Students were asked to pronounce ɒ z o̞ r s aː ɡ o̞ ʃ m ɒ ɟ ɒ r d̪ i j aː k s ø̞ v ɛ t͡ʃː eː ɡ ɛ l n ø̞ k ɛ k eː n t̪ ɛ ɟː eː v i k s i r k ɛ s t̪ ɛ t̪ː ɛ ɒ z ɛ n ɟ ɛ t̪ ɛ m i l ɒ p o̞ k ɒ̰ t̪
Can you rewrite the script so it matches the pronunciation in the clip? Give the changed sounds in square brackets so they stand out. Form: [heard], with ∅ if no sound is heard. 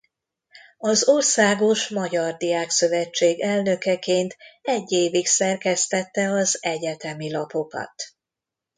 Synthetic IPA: ɒ z o̞ r s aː ɡ o̞ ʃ m ɒ ɟ ɒ r d̪ i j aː k s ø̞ v ɛ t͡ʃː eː ɡ ɛ l n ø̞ k ɛ k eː n t̪ ɛ ɟː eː v i k s [ɛ] r k ɛ s t̪ ɛ t̪ː ɛ ɒ z ɛ [∅] ɟ ɛ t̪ ɛ m i l ɒ p o̞ k ɒ̰ t̪